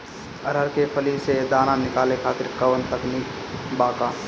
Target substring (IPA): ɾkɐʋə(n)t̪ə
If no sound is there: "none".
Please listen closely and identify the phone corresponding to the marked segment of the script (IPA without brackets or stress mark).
n